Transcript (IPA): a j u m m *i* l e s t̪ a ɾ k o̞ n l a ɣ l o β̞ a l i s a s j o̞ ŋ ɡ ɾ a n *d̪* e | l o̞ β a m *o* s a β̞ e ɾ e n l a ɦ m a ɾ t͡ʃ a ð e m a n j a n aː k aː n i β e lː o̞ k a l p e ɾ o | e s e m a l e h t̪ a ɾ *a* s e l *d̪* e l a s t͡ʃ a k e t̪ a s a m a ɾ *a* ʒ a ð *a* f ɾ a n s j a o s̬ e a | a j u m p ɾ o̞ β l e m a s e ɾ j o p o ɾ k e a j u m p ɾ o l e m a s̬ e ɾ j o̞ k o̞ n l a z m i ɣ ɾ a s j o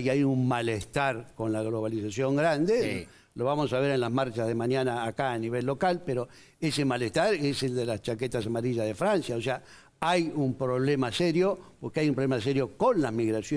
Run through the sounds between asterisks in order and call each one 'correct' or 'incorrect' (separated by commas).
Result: incorrect, correct, correct, incorrect, correct, incorrect, incorrect